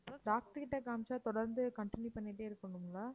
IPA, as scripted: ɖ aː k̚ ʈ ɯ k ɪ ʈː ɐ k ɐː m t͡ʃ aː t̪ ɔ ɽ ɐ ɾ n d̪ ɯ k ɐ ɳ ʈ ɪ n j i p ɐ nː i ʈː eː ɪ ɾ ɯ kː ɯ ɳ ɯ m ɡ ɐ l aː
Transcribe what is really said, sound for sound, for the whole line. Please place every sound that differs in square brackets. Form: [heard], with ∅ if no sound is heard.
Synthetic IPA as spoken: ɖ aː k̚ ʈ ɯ k ɪ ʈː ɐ k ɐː m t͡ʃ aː t̪ ɔ ɽ ɐ ɾ n d̪ ɯ k ɐ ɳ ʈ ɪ n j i p ɐ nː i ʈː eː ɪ ɾ ɯ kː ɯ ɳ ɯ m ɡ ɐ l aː